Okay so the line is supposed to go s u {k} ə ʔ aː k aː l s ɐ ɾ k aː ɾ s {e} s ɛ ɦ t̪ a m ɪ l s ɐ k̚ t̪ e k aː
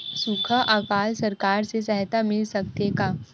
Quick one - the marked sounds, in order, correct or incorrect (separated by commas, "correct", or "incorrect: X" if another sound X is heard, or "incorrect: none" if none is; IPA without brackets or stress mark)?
incorrect: kʰ, correct